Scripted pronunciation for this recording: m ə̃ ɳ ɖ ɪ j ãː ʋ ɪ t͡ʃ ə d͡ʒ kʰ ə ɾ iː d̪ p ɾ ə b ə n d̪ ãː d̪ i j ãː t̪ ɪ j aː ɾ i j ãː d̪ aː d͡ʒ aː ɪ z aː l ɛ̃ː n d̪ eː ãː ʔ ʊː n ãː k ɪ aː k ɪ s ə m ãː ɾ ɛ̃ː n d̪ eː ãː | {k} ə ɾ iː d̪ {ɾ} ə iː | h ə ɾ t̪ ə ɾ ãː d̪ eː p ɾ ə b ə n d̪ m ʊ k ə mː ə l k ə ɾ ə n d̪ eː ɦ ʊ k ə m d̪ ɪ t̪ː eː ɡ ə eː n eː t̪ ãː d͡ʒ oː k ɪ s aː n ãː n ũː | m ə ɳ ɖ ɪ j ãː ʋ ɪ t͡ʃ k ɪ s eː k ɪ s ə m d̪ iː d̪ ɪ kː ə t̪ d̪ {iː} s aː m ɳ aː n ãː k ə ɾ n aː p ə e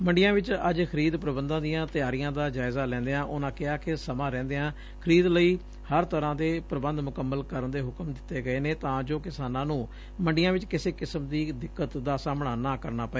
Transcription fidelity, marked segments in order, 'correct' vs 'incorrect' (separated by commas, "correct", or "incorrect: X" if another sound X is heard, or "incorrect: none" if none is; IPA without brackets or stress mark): incorrect: kʰ, incorrect: l, incorrect: aː